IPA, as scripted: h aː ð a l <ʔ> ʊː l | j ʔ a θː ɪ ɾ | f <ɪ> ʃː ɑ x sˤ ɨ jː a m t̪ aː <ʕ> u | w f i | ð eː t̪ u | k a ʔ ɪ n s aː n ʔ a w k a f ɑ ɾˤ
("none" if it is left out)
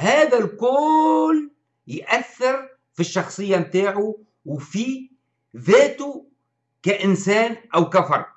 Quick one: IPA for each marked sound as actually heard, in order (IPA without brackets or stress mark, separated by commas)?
k, i, ʕ